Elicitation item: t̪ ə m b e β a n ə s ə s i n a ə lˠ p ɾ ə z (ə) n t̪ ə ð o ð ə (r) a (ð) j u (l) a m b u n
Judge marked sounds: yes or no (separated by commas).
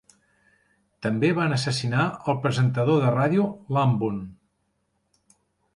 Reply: yes, yes, yes, yes